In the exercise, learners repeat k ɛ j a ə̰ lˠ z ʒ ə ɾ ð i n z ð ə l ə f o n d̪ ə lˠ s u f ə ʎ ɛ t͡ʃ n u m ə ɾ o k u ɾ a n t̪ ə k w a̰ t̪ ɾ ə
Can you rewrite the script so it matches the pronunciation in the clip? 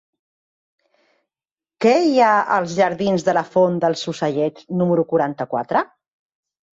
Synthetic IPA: k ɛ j a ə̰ lˠ z ʒ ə ɾ ð i n z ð ə l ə f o n d̪ ə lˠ s u s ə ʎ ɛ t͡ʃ n u m ə ɾ u k u ɾ a n t̪ ə k w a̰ t̪ ɾ ə